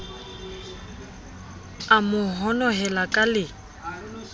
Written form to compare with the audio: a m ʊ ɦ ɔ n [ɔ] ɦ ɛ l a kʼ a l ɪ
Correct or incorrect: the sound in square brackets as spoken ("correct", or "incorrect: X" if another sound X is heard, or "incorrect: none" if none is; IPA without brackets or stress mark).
correct